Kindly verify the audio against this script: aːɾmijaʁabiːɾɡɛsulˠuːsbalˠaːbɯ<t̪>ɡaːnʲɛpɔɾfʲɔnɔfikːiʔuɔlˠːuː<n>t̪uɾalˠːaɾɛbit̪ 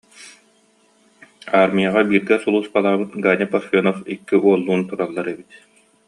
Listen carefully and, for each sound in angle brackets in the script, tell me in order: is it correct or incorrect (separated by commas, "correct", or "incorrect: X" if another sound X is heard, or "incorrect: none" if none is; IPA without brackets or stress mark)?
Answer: correct, correct